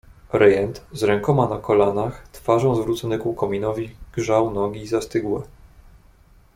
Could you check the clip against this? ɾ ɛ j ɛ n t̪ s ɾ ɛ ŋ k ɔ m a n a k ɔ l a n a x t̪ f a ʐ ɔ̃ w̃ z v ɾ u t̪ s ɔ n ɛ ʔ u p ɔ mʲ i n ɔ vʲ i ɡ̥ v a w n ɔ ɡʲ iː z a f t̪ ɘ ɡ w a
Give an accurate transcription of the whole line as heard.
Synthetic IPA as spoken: ɾ ɛ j ɛ n t̪ z ɾ ɛ ŋ k ɔ m a n a k ɔ l a n a x t̪ f a ʐ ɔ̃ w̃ z v ɾ u t̪ s ɔ n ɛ k u k ɔ mʲ i n ɔ vʲ i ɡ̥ ʐ a w n ɔ ɡʲ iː z a s t̪ ɘ ɡ w ɛ